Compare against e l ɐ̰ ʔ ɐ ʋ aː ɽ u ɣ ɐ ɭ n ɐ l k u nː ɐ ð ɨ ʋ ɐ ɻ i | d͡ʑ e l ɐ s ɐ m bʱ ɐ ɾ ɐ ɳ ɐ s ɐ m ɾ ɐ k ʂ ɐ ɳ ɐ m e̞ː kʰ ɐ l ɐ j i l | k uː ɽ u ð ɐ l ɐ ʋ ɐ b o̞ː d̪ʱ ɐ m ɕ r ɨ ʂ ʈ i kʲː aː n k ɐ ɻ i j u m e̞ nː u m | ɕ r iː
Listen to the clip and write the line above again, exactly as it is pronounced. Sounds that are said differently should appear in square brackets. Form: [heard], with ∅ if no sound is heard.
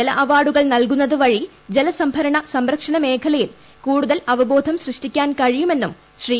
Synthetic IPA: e l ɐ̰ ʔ ɐ ʋ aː ɽ u ɣ ɐ ɭ n ɐ l k u nː ɐ ð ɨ ʋ ɐ ɻ i | d͡ʑ e l ɐ s ɐ m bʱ ɐ ɾ ɐ ɳ ɐ s ɐ m ɾ ɐ k ʂ ɐ ɳ ɐ m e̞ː kʰ ɐ l ɐ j i l | k uː ɽ u ð ɐ l ɐ ʋ ɐ b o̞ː d̪ʱ ɐ m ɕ r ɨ ʂ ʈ i kʲː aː n k ɐ ɻ i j u m e̞ nː u m | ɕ r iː